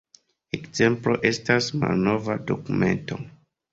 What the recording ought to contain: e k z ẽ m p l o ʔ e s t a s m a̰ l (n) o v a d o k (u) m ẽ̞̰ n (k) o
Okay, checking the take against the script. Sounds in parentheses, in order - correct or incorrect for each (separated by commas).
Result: correct, correct, incorrect